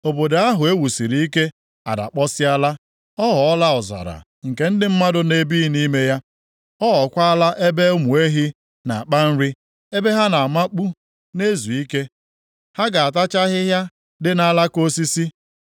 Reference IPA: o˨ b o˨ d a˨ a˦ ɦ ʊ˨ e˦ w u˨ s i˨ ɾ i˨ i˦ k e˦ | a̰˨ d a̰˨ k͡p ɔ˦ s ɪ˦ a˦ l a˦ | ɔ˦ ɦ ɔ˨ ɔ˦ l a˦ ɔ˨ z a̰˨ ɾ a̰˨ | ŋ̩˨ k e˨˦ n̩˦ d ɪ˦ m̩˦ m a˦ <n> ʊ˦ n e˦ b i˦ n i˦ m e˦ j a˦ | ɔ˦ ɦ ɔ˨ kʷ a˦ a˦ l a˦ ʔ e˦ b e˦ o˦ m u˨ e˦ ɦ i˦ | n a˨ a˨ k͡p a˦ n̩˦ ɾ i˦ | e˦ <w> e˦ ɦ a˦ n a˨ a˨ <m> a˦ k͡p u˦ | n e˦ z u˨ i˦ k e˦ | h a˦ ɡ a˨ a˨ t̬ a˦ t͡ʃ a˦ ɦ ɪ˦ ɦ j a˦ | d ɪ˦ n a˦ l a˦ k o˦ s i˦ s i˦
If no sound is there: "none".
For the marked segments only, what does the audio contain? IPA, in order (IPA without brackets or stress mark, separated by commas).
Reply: d, b, m